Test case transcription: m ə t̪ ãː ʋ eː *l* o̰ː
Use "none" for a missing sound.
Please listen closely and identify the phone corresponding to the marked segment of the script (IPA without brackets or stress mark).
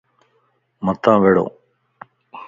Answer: ɽ